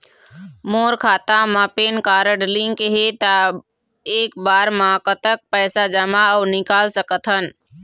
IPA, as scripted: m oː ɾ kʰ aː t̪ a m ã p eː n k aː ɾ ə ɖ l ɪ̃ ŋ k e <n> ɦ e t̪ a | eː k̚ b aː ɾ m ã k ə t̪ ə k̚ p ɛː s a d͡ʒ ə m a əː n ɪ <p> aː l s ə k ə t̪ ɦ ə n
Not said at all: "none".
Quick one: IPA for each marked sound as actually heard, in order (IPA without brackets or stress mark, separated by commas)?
none, k